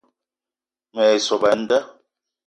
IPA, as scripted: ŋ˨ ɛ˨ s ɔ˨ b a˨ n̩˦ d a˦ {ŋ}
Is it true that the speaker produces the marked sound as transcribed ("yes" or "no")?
no